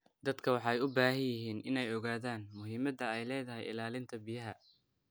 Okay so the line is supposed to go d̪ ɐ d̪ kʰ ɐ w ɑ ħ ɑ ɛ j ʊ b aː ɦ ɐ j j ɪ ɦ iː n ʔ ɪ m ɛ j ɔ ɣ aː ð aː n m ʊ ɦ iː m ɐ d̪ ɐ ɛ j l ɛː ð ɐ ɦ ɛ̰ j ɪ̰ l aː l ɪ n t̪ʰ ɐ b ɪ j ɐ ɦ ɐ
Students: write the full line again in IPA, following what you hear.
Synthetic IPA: d̪ ɐ d̪ kʰ ɐ w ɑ ħ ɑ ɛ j ʊ b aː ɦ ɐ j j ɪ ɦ iː n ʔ ɪ n ɛ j ɔ ɣ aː ð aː n m ʊ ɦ iː m ɐ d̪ ɐ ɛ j l ɛː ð ɐ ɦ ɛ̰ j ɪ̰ l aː l ɪ n t̪ʰ ɐ b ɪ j ɐ ɦ ɐ